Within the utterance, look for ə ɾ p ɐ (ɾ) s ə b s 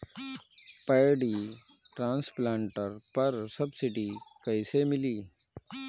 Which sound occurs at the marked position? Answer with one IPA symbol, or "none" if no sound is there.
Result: ɾ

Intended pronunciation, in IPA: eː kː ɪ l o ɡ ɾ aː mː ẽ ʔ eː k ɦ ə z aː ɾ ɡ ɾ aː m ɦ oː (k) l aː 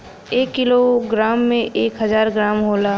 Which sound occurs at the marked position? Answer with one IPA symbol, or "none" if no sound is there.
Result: none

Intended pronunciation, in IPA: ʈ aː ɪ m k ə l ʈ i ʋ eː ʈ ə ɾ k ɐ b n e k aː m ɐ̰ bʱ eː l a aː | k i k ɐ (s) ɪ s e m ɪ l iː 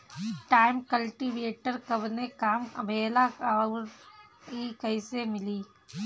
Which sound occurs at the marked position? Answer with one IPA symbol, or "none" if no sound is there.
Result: none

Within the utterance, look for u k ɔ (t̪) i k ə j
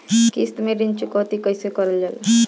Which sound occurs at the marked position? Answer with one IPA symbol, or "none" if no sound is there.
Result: t̪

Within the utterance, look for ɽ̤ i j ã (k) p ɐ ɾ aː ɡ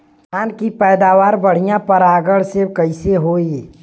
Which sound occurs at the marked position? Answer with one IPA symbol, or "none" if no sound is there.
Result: none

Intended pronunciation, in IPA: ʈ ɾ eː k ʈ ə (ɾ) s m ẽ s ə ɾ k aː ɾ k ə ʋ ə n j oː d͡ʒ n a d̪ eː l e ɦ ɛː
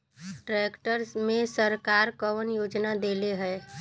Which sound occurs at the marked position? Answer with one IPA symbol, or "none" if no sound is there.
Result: ɾ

